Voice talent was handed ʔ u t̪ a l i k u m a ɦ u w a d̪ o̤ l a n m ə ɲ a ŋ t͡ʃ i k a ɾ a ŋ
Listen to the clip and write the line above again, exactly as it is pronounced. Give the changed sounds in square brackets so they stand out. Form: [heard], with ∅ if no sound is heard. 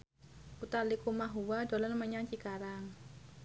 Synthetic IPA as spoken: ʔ u t̪ a l i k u m a ɦ u w a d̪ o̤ l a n m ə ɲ a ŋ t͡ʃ i k a ɾ a ŋ

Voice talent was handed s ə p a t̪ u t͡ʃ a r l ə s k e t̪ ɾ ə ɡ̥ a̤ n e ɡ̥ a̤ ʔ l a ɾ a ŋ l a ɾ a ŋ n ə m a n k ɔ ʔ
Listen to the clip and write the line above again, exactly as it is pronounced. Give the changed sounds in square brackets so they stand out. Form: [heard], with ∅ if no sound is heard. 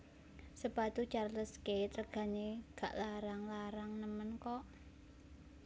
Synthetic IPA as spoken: s ə p a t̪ u t͡ʃ a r l ə s k e t̪ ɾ ə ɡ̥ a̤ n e ɡ̥ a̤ ʔ l a ɾ a ŋ l a ɾ a ŋ n ə m [ə] n k ɔ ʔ

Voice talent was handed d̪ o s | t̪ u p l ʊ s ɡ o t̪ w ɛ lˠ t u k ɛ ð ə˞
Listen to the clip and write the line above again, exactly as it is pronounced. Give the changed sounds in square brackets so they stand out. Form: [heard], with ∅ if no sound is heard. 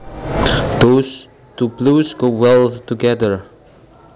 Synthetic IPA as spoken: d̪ o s | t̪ u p l [u] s ɡ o [∅] w ɛ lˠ t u [ɡ] ɛ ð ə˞

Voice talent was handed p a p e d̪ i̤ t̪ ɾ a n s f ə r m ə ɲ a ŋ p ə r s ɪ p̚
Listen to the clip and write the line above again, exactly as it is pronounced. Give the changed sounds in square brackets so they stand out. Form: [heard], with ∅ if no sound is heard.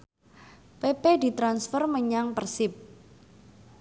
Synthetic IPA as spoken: p [e] p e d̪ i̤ t̪ ɾ a n s f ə r m ə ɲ a ŋ p ə r s ɪ p̚

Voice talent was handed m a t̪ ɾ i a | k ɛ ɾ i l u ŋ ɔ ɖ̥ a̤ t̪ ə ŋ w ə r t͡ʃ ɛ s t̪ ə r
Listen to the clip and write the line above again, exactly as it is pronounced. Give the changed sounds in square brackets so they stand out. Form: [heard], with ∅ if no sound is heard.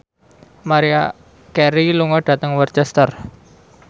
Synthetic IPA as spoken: m a [∅] ɾ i a | k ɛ ɾ i l u ŋ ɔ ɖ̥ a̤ t̪ ə ŋ w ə r t͡ʃ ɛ s t̪ ə r

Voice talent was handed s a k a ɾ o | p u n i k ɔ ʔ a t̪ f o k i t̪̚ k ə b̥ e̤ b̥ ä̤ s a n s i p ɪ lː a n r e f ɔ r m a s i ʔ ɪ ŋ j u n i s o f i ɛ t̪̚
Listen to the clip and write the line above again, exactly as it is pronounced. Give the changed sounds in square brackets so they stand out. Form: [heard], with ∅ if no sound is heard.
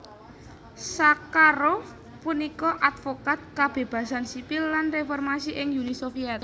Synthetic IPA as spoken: s a k a ɾ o | p u n i k ɔ ʔ a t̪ f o k [a] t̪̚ k [a] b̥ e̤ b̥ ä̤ s a n s i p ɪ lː a n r e f ɔ r m a s i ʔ ɪ ŋ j u n i s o f i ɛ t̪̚

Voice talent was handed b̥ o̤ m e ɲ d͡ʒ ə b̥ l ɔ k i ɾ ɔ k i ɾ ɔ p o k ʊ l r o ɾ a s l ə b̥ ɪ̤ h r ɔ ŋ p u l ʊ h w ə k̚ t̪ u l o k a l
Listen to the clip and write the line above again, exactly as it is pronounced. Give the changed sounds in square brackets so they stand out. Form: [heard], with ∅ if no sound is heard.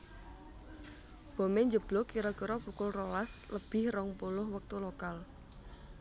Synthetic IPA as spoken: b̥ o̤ m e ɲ d͡ʒ ə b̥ l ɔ k i ɾ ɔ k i ɾ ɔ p [u] k ʊ l r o [l] a s l ə b̥ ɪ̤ h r ɔ ŋ p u l ʊ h w ə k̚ t̪ u l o k a l

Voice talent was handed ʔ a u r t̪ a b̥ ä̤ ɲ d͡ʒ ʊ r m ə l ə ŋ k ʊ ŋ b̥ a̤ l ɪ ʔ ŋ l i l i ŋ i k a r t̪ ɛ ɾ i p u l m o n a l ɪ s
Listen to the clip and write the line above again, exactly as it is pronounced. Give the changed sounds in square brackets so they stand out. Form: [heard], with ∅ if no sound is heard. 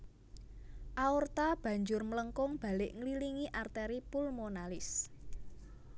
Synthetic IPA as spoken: ʔ a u r t̪ a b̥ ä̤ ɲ d͡ʒ ʊ r m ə l ə ŋ k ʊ ŋ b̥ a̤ l ɪ ʔ ŋ l i l i ŋ i [ʔ] a r t̪ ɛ ɾ i p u l m o n a l ɪ s

